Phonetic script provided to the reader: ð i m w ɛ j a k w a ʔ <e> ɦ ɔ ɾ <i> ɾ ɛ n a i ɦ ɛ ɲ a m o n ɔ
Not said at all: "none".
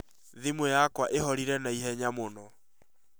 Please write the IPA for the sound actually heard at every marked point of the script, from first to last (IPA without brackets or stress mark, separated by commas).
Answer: e, i